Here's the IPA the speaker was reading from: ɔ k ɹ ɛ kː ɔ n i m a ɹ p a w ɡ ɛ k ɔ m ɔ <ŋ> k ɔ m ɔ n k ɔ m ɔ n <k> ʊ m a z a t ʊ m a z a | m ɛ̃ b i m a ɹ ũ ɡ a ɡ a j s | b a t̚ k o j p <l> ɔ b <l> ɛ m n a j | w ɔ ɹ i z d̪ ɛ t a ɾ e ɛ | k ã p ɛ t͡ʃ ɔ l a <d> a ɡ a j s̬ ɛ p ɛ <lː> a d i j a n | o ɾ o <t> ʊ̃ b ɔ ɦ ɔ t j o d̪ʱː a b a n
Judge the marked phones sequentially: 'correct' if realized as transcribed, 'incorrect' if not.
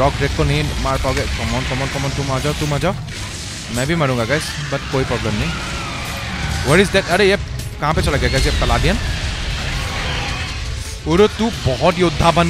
incorrect, incorrect, incorrect, correct, incorrect, incorrect, correct

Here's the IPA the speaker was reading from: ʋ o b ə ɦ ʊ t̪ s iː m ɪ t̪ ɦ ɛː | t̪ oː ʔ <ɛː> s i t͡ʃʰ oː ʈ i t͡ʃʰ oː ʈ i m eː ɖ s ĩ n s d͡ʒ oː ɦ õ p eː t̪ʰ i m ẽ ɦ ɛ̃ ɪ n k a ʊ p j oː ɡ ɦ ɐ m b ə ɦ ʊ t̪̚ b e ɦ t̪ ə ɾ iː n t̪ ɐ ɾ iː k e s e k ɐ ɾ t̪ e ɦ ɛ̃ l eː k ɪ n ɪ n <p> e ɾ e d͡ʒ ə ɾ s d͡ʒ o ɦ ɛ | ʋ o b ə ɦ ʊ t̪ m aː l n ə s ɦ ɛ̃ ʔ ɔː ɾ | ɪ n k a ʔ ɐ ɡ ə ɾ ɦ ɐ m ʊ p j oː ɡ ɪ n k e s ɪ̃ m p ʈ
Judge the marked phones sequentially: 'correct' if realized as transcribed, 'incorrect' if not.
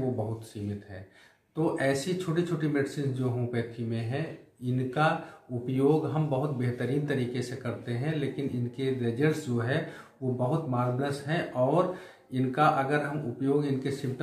correct, incorrect

